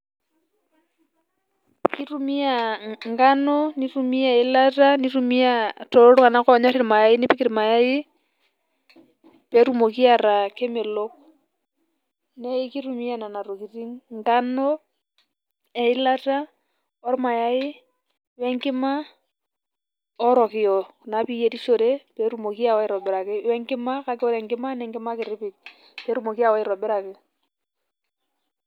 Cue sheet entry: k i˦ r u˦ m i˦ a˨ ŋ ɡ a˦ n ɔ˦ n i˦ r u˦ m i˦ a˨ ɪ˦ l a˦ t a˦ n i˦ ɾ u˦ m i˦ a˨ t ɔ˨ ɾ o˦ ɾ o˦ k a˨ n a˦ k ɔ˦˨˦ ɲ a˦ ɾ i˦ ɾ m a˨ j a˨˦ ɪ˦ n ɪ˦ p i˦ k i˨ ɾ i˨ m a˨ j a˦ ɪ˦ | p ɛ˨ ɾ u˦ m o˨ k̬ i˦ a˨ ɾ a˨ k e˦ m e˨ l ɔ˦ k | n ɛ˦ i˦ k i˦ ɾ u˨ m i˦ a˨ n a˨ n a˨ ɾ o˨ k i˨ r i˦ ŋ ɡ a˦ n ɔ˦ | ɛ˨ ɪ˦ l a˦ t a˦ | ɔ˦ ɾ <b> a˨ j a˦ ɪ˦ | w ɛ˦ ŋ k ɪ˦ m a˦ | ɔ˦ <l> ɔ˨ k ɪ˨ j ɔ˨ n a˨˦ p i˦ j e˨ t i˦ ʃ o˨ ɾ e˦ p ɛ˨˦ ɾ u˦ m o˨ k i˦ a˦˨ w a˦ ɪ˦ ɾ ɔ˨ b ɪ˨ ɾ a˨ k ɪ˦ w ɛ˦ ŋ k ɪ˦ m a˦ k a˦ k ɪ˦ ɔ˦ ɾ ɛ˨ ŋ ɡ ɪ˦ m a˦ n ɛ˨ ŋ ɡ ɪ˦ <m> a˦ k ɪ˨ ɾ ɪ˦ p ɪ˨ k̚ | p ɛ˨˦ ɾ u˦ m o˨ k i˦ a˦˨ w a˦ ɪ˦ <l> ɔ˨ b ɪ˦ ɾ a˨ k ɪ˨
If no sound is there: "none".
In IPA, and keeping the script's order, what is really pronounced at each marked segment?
m, ɾ, m, ɾ

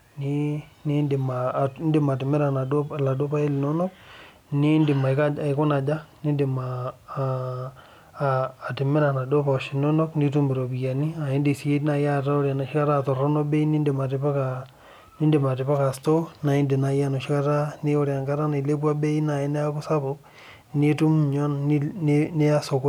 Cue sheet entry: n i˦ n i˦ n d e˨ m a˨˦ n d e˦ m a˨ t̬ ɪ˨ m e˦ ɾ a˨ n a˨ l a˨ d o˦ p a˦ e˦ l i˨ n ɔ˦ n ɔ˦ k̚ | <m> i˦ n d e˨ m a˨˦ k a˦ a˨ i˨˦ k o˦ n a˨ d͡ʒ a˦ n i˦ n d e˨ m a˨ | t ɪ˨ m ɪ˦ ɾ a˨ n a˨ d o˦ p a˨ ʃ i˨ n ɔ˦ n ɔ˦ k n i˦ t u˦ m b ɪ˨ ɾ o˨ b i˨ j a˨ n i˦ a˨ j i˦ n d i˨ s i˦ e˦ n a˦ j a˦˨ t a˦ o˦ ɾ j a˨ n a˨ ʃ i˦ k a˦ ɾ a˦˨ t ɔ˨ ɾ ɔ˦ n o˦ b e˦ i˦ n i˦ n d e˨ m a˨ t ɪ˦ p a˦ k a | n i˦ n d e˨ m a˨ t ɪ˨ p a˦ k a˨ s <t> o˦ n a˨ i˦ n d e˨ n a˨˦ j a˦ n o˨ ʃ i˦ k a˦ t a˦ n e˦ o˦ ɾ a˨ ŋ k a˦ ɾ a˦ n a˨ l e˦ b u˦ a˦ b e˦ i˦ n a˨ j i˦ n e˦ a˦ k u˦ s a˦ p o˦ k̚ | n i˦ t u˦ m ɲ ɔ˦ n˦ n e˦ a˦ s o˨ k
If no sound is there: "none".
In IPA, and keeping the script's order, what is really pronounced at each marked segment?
n, t

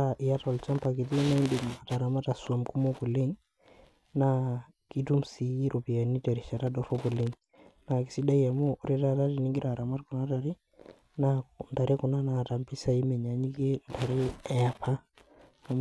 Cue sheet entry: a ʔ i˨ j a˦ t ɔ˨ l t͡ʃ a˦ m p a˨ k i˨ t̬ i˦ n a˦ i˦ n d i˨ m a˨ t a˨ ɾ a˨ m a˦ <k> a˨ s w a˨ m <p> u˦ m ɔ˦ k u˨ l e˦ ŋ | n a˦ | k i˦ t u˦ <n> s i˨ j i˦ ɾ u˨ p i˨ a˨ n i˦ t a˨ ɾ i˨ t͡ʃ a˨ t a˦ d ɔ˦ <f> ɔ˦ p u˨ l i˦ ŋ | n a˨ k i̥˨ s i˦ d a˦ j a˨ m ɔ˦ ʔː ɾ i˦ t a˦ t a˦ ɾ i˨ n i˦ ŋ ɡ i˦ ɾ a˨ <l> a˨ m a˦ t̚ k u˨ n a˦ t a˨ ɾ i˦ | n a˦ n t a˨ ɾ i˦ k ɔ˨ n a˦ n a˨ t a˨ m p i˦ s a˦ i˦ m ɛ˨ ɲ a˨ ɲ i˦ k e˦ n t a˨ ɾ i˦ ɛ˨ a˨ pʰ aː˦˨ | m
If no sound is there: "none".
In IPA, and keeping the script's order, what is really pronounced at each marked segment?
t, k, m, f, ɾ

